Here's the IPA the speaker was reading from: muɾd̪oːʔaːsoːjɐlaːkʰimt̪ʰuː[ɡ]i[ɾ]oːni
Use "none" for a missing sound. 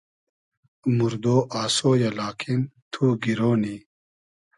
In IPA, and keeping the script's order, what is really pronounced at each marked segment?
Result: ɡ, ɾ

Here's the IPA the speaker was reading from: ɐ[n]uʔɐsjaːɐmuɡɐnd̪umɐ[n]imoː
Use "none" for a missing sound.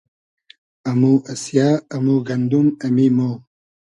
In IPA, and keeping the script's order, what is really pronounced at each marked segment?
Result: m, m

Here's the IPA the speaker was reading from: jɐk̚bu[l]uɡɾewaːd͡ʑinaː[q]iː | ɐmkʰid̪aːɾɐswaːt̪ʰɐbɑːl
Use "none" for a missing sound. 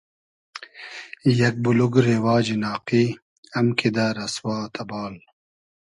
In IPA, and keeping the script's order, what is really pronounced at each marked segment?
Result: l, q

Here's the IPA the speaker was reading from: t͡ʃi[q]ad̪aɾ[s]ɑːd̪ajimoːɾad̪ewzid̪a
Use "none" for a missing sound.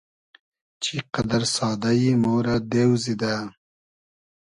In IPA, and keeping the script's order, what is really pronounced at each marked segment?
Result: q, s

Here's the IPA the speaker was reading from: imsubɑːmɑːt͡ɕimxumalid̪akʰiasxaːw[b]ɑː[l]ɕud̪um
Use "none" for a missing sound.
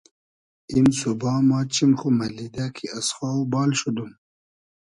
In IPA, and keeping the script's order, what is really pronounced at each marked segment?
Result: b, l

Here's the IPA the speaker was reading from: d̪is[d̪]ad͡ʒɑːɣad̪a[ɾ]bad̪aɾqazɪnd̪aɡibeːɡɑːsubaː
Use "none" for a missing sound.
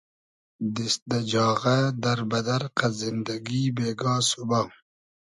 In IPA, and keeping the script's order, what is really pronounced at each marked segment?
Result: d̪, ɾ

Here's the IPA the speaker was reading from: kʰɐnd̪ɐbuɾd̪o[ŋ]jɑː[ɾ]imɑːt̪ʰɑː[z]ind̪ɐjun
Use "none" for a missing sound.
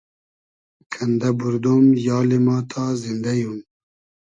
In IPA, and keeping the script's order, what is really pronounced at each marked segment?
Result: m, l, z

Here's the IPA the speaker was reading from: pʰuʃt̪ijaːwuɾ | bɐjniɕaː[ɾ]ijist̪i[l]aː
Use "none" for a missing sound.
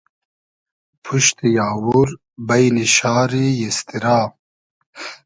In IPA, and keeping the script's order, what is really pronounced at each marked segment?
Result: ɾ, ɾ

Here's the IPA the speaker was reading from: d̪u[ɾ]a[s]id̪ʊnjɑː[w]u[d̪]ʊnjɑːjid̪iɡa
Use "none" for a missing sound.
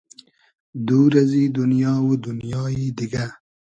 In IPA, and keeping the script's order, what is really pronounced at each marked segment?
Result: ɾ, z, w, d̪

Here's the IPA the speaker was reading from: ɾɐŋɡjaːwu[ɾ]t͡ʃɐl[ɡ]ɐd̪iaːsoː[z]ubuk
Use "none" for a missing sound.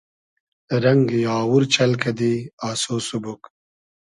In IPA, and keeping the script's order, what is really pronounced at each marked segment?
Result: ɾ, k, s

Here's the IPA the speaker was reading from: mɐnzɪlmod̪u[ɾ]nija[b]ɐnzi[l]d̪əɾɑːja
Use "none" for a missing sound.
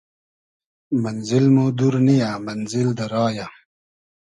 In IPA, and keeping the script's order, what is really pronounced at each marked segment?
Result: ɾ, m, l

